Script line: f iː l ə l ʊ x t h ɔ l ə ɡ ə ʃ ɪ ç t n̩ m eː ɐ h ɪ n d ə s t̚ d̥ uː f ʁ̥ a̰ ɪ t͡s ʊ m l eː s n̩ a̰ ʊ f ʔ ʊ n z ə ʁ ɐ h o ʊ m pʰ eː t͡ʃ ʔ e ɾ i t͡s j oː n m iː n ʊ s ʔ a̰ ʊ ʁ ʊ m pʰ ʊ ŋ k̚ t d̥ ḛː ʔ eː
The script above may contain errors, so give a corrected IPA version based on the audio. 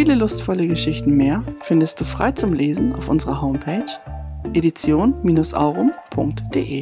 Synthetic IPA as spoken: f iː l ə l ʊ s t f ɔ l ə ɡ ə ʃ ɪ ç t n̩ m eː ɐ f ɪ n d ə s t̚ d̥ uː f ʁ̥ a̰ ɪ t͡s ʊ m l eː z n̩ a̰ ʊ f ʔ ʊ n z ə ʁ ɐ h o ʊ m pʰ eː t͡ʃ ʔ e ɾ i t͡s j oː n m iː n ʊ s ʔ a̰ ʊ ʁ ʊ m pʰ ʊ ŋ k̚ t d̥ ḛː ʔ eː